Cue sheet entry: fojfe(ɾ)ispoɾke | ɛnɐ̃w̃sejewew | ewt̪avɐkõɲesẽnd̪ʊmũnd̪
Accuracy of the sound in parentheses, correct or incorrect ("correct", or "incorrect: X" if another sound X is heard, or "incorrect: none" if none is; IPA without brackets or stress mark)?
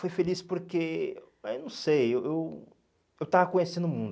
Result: incorrect: l